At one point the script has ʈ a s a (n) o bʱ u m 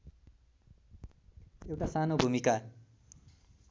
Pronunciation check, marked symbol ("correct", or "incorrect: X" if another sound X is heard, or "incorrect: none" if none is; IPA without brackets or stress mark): correct